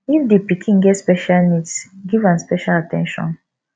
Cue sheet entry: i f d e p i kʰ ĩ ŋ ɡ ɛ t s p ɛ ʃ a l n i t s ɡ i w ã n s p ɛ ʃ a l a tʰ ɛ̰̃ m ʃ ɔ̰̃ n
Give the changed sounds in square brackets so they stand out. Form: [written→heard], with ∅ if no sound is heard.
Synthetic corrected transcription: i f d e p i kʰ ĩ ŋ ɡ ɛ t s p ɛ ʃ a l n i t s ɡ i [w→v] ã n s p ɛ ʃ a l a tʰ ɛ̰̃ [m→n] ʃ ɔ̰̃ n